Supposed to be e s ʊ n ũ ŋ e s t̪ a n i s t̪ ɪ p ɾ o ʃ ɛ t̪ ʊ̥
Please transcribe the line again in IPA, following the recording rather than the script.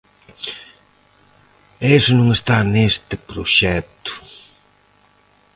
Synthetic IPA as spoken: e s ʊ n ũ ŋ e s t̪ a n e s t̪ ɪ p ɾ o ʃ ɛ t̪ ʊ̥